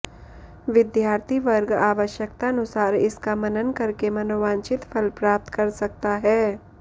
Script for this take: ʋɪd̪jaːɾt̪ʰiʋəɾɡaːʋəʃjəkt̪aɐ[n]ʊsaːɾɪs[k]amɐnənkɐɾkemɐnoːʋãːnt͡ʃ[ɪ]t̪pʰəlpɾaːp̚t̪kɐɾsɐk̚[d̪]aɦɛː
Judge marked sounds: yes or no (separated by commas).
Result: yes, yes, yes, no